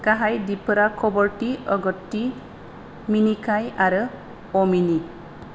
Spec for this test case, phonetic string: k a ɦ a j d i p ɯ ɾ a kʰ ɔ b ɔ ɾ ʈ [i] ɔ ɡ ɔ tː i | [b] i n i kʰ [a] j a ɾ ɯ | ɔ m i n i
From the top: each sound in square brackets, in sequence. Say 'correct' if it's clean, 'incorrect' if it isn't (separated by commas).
correct, incorrect, correct